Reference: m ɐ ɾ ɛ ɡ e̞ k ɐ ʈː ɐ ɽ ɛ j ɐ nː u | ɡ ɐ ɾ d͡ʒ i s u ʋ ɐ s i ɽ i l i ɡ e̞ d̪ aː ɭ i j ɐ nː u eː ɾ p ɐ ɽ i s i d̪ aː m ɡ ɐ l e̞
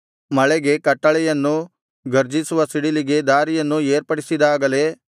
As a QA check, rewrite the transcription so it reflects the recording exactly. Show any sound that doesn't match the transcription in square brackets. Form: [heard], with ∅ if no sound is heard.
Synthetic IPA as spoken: m ɐ [ɭ] ɛ ɡ e̞ k ɐ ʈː ɐ [ɭ] ɛ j ɐ nː u | ɡ ɐ ɾ d͡ʒ i s u ʋ ɐ s i ɽ i l i ɡ e̞ d̪ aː [ɾ] i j ɐ nː u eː ɾ p ɐ ɽ i s i d̪ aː [∅] ɡ ɐ l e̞